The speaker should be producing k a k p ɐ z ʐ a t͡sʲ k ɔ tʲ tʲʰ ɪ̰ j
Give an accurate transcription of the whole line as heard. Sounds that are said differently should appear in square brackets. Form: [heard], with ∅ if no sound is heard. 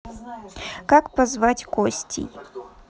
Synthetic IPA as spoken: k a k p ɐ z [v] a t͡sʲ k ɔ [sʲ] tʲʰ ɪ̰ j